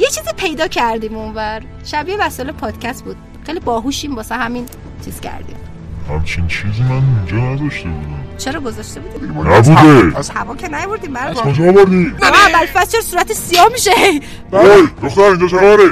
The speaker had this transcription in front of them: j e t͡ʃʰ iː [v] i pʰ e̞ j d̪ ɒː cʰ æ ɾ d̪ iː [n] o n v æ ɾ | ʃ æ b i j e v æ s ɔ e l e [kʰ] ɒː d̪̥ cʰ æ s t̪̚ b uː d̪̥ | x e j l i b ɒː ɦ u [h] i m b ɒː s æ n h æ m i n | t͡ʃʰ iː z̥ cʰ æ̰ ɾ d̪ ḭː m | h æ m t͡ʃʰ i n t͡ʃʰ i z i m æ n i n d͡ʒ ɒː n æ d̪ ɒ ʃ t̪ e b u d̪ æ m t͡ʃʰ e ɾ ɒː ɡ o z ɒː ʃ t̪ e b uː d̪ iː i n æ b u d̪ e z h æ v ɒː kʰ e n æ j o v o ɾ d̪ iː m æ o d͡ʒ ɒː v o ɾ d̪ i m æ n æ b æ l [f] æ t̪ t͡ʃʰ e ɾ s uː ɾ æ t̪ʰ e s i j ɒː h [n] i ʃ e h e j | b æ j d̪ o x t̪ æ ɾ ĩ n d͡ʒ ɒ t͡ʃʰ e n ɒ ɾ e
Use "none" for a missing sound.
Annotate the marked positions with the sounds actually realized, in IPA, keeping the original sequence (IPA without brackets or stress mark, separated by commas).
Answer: z, m, pʰ, ʃ, f, m